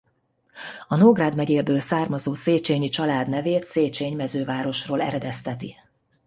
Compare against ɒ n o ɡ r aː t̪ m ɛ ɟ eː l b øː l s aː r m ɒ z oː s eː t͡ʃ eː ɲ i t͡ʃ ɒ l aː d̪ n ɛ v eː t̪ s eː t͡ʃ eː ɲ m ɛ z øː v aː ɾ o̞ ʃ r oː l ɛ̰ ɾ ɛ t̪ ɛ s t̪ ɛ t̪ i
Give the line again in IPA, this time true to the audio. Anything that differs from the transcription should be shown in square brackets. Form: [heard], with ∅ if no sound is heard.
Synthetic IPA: ɒ n o ɡ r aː [d̪] m ɛ ɟ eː l b øː l s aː r m ɒ z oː s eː t͡ʃ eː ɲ i t͡ʃ ɒ l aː d̪ n ɛ v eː t̪ s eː t͡ʃ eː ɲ m ɛ z øː v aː ɾ o̞ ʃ r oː l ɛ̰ ɾ ɛ [d̪] ɛ s t̪ ɛ t̪ i

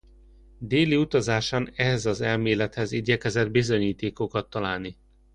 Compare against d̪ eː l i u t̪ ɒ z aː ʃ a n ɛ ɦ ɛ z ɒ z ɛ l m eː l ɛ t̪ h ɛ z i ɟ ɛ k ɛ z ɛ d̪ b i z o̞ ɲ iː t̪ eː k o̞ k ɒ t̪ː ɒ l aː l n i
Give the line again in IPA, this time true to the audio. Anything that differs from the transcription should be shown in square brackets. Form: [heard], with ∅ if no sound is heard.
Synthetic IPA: d̪ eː l i u t̪ ɒ z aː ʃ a n ɛ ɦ ɛ z ɒ z ɛ l m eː l ɛ t̪ h ɛ z i ɟ ɛ k ɛ z ɛ d̪ b i z o̞ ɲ iː t̪ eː k o̞ k ɒ t̪ː ɒ l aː l n i

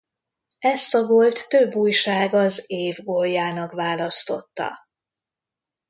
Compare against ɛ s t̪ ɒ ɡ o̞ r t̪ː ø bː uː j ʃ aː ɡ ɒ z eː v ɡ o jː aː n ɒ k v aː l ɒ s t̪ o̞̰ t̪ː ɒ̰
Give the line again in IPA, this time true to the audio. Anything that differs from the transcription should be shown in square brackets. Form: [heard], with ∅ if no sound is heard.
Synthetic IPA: ɛ s t̪ ɒ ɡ o̞ [l] t̪ː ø bː uː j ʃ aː ɡ ɒ z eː v ɡ o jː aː n ɒ k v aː l ɒ s t̪ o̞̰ t̪ː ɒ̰

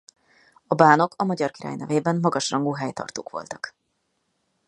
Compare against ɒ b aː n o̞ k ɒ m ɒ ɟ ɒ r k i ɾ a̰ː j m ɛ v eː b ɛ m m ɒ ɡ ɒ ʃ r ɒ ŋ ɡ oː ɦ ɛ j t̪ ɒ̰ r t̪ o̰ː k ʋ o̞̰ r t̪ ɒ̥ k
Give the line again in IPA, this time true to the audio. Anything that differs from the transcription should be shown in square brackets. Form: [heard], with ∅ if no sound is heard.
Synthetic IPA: ɒ b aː n o̞ k ɒ m ɒ ɟ ɒ r k i ɾ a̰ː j [n] ɛ v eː b ɛ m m ɒ ɡ ɒ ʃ r ɒ ŋ ɡ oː ɦ ɛ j t̪ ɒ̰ r t̪ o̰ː k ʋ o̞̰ [l] t̪ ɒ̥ k

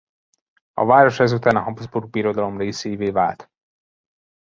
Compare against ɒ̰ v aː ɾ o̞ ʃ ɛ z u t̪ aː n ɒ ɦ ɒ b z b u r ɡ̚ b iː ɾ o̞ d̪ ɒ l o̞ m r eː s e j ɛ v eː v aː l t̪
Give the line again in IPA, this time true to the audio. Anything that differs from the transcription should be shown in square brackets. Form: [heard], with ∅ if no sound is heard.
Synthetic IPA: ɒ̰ v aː ɾ o̞ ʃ ɛ z u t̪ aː n ɒ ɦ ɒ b z b u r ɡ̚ b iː ɾ o̞ d̪ ɒ l o̞ m r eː s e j [i] v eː v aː l t̪

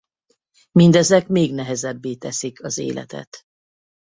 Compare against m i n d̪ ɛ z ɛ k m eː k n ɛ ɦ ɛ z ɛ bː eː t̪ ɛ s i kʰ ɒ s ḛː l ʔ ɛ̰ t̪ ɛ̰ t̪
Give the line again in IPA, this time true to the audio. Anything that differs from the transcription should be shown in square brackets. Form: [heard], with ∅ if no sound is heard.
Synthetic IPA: m i n d̪ ɛ z ɛ k m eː [ɡ] n ɛ ɦ ɛ z ɛ bː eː t̪ ɛ s i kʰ ɒ [z] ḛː l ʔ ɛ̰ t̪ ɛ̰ t̪

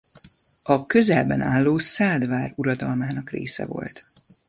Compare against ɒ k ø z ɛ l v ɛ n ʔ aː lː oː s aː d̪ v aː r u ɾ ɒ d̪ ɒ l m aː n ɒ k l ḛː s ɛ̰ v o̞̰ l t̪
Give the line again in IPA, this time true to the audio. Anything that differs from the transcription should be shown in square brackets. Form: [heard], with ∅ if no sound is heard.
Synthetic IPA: ɒ k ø z ɛ l [b] ɛ n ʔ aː lː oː s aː d̪ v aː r u ɾ ɒ d̪ ɒ l m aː n ɒ k [r] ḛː s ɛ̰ v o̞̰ l t̪

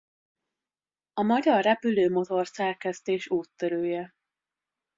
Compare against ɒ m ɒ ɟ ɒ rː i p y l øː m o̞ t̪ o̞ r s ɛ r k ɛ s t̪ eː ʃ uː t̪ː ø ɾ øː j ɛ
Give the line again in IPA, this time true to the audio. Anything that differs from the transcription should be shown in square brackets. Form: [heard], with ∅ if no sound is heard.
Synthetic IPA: ɒ m ɒ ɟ ɒ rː [ɛ] p y l øː m o̞ t̪ o̞ r s ɛ r k ɛ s t̪ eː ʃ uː t̪ː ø ɾ øː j ɛ

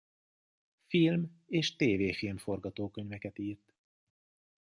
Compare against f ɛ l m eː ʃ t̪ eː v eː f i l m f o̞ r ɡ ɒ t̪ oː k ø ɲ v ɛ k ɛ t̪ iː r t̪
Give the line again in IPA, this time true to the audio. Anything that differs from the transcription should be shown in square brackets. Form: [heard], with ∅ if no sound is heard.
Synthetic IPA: f [i] l m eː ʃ t̪ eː v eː f i l m f o̞ r ɡ ɒ t̪ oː k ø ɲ v ɛ k ɛ t̪ iː r t̪

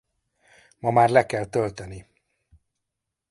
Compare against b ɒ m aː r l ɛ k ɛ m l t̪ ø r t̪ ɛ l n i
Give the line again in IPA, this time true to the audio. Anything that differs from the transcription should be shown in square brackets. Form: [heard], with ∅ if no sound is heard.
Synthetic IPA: [m] ɒ m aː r l ɛ k ɛ [∅] l t̪ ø [l] t̪ ɛ [∅] n i

